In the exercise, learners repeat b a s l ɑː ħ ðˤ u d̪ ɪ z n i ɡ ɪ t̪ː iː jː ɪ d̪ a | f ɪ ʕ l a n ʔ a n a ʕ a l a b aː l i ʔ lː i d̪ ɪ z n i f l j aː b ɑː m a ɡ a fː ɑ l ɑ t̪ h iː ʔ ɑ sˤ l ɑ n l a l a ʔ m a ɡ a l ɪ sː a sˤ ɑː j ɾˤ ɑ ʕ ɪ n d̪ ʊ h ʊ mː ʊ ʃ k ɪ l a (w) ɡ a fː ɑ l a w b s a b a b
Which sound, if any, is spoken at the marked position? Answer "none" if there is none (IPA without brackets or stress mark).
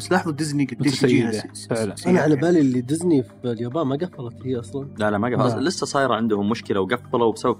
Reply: w